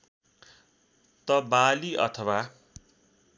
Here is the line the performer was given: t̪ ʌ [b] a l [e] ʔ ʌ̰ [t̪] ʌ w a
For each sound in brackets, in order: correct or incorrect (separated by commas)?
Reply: correct, incorrect, incorrect